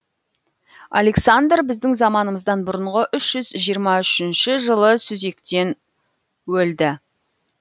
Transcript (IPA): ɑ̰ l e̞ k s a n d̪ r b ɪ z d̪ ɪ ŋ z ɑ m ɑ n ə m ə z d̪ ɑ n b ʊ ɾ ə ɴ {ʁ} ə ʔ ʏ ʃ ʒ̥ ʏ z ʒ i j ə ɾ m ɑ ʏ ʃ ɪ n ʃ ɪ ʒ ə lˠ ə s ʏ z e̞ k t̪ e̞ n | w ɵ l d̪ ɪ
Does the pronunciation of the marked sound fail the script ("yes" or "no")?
no